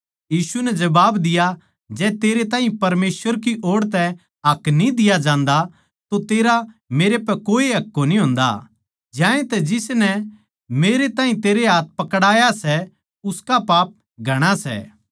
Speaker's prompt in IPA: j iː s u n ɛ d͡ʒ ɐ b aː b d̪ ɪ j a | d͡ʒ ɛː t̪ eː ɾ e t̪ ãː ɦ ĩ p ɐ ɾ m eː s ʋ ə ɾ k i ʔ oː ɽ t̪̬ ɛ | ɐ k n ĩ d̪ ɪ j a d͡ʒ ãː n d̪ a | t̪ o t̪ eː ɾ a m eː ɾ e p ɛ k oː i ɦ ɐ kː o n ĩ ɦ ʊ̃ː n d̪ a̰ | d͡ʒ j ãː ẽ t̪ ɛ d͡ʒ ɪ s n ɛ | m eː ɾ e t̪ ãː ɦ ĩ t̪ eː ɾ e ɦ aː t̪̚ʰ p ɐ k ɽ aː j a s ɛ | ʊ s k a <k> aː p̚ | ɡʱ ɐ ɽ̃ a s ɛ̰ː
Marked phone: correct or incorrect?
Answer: incorrect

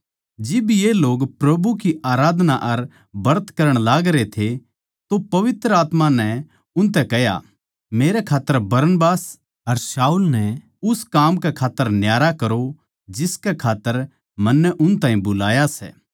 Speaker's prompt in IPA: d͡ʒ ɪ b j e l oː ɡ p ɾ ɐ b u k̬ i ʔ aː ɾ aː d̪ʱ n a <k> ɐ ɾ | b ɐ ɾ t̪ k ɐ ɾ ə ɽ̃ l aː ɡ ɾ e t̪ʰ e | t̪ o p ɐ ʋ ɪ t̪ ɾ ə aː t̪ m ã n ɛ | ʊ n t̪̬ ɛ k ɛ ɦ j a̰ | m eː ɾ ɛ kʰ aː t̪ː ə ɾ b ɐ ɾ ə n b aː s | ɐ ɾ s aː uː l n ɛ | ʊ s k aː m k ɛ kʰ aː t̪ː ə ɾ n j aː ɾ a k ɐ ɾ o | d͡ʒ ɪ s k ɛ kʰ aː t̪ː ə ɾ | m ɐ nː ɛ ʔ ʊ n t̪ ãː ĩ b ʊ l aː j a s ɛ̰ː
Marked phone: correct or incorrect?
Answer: incorrect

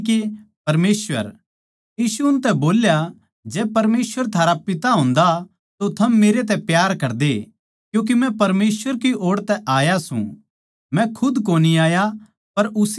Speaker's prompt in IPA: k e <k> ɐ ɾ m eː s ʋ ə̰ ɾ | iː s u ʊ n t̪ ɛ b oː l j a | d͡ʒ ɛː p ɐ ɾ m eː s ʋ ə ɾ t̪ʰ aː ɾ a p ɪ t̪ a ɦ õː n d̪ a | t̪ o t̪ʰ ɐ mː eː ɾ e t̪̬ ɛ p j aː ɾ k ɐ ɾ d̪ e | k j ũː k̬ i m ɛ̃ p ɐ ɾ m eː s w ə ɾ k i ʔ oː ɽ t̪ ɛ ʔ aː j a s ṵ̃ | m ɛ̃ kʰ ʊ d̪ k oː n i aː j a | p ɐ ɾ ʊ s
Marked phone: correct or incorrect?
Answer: incorrect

